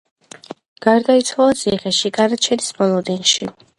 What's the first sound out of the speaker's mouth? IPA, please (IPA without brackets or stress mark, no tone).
ɡ̥